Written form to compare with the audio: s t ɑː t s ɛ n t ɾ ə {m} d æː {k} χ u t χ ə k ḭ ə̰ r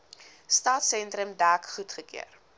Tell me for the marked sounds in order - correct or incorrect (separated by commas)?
correct, correct